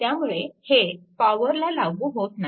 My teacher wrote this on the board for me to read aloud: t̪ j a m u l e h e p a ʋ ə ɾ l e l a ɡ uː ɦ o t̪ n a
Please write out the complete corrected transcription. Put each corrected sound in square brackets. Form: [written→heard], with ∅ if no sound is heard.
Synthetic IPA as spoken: t̪ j a m u [l→ɭ] e h e p a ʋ ə ɾ l [e→a] l a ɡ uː ɦ o t̪ n a